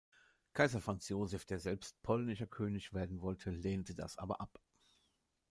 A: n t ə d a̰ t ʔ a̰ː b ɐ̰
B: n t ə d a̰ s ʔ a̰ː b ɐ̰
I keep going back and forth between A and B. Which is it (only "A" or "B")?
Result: B